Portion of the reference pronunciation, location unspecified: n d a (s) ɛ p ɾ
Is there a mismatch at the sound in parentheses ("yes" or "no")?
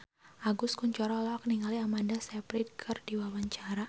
no